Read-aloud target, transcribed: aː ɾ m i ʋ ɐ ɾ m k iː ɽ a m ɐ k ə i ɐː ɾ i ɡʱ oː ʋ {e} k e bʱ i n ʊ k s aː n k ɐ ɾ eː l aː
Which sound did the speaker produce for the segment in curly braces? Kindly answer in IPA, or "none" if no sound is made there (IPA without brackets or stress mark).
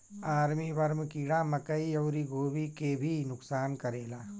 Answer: i